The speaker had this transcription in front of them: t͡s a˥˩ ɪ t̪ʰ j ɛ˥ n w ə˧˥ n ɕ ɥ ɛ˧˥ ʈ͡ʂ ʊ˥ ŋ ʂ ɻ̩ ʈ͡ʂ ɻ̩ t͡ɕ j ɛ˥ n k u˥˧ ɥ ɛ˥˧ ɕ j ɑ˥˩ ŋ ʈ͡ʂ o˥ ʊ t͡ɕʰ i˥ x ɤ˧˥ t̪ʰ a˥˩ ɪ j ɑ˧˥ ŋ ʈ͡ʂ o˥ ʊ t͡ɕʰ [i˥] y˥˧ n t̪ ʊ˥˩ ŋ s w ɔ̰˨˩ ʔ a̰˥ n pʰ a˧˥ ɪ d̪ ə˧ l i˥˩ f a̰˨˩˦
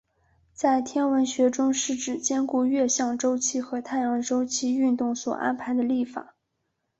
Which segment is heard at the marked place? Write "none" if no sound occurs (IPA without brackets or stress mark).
i˥